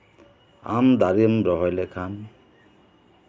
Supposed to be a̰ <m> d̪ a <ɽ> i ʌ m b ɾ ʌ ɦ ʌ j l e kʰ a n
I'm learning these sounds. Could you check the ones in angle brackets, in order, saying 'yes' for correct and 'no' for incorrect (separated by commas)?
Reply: yes, no